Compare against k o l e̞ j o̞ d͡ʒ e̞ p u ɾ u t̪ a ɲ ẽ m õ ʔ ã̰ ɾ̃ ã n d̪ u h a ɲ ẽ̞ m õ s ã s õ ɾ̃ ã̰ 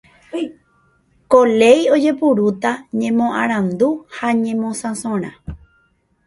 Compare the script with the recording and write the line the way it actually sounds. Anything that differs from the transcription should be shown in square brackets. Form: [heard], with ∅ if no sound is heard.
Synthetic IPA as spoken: k o l e̞ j o̞ d͡ʒ e̞ p u ɾ u t̪ a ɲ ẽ m õ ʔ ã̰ ɾ̃ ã n d̪ u h a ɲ ẽ̞ m õ s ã s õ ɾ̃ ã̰